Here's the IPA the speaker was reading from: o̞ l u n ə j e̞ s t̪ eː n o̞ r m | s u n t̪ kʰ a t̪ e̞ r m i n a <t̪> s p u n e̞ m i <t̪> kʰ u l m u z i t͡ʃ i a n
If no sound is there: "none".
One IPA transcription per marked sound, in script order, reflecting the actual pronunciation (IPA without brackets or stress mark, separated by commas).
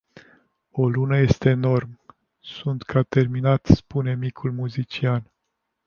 t̪, none